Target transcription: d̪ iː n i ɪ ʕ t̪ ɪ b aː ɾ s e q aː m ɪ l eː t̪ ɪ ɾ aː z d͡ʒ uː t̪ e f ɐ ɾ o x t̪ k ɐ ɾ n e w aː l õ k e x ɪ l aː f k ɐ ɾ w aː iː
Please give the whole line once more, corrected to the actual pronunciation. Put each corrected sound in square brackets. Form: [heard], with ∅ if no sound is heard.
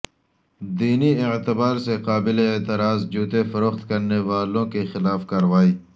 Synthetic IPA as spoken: d̪ iː n i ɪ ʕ t̪ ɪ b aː ɾ s e q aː [b] ɪ l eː t̪ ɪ ɾ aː z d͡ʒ uː t̪ e f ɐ ɾ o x t̪ k ɐ ɾ n e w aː l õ k e x ɪ l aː f k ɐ ɾ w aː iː